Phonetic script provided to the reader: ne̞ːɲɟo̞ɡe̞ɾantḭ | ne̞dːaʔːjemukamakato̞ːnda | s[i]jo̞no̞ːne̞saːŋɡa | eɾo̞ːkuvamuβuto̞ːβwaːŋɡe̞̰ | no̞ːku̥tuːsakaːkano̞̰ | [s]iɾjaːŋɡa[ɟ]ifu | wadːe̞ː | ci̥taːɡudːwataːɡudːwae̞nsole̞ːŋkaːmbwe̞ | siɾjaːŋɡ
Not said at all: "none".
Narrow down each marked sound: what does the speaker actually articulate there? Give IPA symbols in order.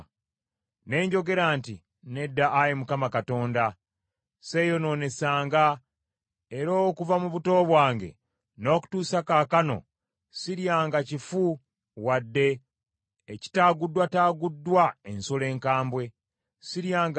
e, s, c

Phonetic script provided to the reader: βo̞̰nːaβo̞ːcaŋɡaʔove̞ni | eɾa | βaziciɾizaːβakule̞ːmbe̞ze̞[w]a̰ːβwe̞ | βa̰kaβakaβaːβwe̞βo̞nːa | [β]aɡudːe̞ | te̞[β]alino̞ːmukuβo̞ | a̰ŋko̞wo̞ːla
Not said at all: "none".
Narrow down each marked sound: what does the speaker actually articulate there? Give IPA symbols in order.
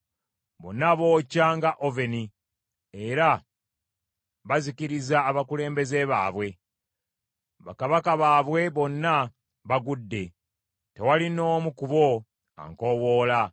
β, β, w

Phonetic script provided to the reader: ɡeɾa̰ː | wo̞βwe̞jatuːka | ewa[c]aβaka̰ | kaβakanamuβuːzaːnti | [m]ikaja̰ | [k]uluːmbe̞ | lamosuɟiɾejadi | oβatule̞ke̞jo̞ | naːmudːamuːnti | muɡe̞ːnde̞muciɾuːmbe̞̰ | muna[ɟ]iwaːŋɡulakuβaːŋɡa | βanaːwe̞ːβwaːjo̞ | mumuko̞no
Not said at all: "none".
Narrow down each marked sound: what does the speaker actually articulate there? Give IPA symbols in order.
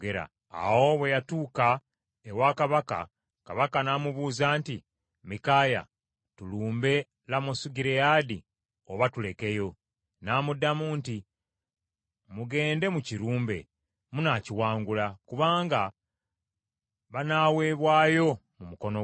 k, m, t, c

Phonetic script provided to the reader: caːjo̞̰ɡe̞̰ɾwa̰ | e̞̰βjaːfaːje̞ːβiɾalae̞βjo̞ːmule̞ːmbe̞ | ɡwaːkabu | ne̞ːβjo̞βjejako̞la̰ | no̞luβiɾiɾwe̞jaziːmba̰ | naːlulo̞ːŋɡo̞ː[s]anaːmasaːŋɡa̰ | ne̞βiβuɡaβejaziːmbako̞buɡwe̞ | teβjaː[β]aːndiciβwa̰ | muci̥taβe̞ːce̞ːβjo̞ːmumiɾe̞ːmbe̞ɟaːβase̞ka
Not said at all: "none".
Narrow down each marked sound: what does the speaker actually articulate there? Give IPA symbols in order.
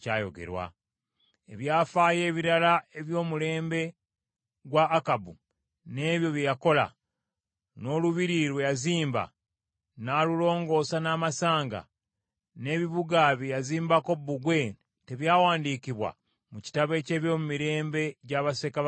s, w

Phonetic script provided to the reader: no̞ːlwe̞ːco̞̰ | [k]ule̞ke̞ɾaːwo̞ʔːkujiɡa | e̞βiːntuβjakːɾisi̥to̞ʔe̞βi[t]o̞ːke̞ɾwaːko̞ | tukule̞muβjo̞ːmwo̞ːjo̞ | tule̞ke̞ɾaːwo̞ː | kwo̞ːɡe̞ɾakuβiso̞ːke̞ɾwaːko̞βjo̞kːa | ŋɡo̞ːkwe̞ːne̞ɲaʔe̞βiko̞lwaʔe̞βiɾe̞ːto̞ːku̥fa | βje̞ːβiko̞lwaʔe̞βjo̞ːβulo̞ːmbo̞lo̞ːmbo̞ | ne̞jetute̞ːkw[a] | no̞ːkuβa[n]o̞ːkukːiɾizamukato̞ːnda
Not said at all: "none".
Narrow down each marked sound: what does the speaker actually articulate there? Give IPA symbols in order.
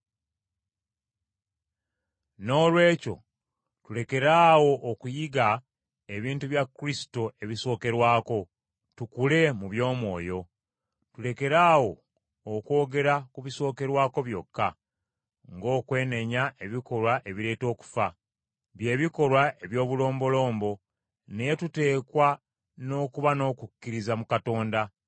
t, s, a, n

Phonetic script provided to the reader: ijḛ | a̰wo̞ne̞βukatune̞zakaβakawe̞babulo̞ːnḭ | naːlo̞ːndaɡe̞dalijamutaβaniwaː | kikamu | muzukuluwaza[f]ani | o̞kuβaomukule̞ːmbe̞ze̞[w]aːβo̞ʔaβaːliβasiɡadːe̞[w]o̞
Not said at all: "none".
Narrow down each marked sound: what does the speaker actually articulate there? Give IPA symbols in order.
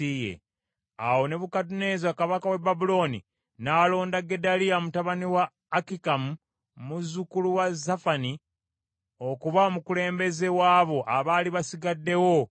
f, w, w

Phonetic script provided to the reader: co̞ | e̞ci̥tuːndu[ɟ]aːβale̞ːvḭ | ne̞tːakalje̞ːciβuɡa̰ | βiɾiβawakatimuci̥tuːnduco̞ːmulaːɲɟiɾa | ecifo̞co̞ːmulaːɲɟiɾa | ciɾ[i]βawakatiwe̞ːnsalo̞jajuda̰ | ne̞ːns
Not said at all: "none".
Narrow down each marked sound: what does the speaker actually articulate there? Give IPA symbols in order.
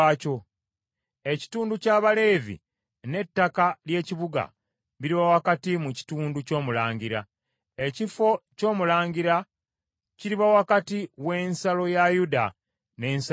c, i

